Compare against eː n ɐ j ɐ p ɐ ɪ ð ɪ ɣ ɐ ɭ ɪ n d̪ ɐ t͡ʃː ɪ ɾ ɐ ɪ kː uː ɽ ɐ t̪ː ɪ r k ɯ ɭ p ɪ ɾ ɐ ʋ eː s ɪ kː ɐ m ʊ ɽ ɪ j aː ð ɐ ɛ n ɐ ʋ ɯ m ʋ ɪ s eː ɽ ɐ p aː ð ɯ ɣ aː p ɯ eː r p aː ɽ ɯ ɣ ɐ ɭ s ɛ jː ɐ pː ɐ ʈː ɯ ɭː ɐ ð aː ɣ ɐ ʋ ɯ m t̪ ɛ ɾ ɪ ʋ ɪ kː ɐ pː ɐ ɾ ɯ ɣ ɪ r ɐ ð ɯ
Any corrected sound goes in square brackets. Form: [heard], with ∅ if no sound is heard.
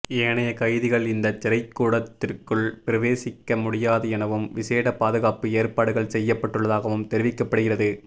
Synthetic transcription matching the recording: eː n ɐ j ɐ [k] ɐ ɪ ð ɪ ɣ ɐ ɭ ɪ n d̪ ɐ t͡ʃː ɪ ɾ ɐ ɪ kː uː ɽ ɐ t̪ː ɪ r k ɯ ɭ p ɪ ɾ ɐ ʋ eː s ɪ kː ɐ m ʊ ɽ ɪ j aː ð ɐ ɛ n ɐ ʋ ɯ m ʋ ɪ s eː ɽ ɐ p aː ð ɯ ɣ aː p ɯ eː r p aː ɽ ɯ ɣ ɐ ɭ s ɛ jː ɐ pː ɐ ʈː ɯ ɭː ɐ ð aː ɣ ɐ ʋ ɯ m t̪ ɛ ɾ ɪ ʋ ɪ kː ɐ pː ɐ [ɽ] ɯ ɣ ɪ r ɐ ð ɯ